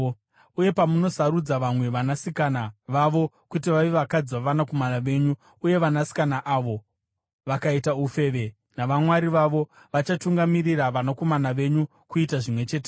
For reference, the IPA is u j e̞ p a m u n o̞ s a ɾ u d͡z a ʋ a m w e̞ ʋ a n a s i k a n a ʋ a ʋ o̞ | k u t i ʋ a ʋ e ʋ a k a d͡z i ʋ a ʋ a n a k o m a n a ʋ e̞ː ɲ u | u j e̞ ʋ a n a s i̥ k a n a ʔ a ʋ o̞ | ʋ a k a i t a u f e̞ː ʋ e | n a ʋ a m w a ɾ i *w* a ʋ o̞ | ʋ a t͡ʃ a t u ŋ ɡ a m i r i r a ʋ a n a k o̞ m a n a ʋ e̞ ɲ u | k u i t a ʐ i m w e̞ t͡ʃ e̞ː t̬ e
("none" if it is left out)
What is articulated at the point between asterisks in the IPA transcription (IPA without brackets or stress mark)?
ʋ